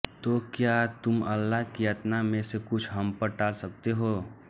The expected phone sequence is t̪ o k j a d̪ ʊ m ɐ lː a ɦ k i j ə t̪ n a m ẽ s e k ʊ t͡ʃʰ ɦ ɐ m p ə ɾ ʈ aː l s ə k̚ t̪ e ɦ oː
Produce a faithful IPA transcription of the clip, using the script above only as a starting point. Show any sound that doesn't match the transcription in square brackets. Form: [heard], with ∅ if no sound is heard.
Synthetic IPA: t̪ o k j a [t̪] ʊ m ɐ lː a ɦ k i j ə t̪ n a m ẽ s e k ʊ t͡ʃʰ ɦ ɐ m p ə ɾ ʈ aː l s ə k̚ t̪ e ɦ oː